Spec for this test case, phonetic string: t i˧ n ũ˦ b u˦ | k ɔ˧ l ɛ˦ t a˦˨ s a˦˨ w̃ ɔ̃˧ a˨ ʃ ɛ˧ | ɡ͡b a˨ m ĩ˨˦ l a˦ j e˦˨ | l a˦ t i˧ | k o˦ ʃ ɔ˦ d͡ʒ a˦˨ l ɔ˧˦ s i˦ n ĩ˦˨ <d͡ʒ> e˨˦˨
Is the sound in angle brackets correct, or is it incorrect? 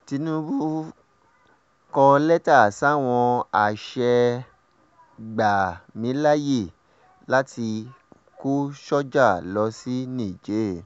correct